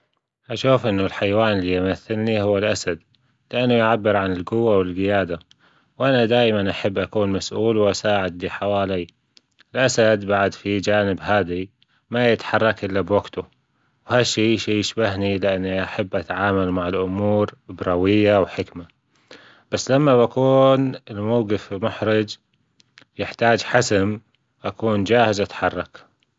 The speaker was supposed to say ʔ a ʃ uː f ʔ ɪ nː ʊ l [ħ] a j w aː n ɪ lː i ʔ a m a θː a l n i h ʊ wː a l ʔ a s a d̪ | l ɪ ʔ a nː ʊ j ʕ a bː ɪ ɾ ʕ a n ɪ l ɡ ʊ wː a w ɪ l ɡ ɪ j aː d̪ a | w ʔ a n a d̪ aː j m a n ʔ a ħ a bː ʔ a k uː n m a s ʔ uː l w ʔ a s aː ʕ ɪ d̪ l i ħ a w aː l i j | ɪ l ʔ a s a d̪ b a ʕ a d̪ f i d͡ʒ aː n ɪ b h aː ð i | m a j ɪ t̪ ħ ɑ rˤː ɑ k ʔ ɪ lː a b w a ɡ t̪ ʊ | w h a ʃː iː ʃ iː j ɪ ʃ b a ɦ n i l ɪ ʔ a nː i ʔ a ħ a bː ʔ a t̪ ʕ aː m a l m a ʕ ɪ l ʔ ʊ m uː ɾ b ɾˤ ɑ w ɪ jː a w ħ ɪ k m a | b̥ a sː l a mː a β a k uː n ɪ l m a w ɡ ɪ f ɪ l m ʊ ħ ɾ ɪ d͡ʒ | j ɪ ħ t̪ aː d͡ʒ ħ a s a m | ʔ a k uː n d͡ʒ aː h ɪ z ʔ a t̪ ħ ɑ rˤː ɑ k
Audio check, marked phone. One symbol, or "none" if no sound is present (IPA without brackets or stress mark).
ħ